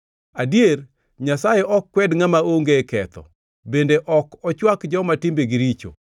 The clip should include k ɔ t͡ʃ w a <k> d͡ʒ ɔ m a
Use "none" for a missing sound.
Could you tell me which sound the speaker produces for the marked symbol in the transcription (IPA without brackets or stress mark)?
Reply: k